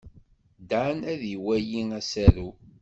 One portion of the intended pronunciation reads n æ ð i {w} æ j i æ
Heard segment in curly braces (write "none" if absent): w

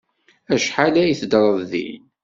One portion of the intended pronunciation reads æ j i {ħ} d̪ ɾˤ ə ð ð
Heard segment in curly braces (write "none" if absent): θ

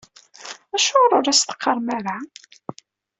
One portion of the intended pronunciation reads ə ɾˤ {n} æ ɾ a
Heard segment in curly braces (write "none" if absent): m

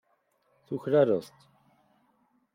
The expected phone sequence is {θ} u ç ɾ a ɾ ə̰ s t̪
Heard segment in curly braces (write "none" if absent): θ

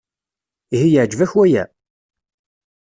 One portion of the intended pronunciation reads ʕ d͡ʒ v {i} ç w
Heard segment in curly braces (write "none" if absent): æ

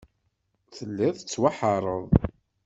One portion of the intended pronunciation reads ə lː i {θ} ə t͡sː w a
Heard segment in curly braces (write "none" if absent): ð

